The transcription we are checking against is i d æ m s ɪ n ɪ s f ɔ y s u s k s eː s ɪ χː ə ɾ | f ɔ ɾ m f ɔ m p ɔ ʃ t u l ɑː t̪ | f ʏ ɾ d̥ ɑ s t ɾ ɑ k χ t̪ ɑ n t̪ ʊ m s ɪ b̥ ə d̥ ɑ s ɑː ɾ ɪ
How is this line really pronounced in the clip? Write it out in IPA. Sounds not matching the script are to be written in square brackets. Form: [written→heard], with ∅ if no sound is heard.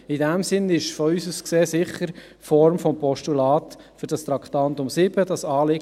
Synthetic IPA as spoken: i d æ m s ɪ n ɪ [s→ʃ] f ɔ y s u s k s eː s ɪ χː ə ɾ | f ɔ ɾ m f ɔ m p ɔ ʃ t u l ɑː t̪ | f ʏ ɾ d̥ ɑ s t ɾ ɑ k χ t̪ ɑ n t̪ ʊ m s ɪ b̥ ə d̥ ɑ s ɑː [ɾ→l] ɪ